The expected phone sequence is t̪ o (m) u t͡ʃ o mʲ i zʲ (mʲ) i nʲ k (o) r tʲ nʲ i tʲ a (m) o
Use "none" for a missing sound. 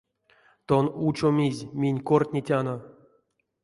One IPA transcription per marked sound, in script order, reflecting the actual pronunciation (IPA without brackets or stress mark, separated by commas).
n, mʲ, o, n